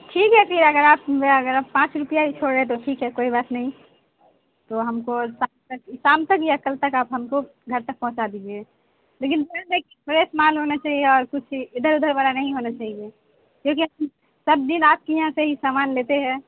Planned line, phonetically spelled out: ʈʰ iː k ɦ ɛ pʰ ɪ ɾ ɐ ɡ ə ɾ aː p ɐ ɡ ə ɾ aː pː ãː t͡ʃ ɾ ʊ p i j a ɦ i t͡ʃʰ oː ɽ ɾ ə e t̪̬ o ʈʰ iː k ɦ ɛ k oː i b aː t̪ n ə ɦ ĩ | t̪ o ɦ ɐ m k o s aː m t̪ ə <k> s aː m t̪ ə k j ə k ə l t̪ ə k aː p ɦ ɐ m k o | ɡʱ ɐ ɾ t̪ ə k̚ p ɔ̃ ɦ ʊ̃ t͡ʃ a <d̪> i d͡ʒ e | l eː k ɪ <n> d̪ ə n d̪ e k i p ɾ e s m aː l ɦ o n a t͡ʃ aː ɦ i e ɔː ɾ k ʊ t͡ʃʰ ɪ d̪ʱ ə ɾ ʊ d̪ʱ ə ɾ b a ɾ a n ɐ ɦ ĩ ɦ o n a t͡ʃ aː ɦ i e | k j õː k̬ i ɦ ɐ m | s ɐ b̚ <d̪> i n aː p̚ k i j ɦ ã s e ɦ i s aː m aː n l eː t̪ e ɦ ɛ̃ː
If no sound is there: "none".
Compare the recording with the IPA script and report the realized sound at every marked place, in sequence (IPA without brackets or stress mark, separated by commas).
k, d̪, n, d̪